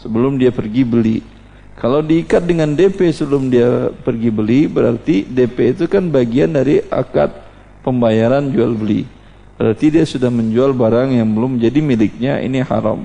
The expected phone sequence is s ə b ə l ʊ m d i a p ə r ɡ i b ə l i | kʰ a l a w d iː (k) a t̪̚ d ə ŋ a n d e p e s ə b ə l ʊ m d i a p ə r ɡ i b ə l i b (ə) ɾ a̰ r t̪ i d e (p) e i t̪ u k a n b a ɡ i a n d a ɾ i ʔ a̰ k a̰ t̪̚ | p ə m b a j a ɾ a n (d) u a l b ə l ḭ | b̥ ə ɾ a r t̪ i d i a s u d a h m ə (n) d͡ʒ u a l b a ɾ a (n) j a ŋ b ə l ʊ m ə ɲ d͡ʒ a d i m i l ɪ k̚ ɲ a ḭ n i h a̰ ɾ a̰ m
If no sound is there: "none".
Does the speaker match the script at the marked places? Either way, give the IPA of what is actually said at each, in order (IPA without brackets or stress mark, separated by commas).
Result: k, ə, p, d͡ʒ, ɲ, ŋ